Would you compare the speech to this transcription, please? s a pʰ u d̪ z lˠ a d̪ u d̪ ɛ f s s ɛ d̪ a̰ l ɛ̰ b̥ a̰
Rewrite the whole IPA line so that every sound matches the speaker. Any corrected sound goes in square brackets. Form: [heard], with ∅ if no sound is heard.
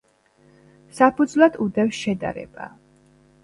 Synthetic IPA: s a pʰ u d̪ z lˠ a d̪ u d̪ ɛ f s [ʃ] ɛ d̪ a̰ [ɾ] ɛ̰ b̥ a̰